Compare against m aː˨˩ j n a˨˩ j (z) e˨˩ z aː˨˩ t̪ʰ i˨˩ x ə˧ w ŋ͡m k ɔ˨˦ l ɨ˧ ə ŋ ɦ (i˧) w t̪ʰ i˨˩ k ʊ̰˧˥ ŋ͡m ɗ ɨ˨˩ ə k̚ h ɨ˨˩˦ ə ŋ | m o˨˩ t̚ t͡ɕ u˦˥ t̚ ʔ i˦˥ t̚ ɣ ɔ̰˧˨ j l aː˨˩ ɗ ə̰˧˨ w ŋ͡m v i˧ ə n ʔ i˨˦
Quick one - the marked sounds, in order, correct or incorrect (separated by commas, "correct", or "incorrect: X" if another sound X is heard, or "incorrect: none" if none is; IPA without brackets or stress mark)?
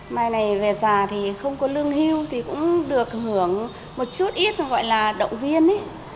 incorrect: v, correct